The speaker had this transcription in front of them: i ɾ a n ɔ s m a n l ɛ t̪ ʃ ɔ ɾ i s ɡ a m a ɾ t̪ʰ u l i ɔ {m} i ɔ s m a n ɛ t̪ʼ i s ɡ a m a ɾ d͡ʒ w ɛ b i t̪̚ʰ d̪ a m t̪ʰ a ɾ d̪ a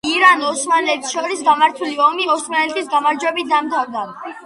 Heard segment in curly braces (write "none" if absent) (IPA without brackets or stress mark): m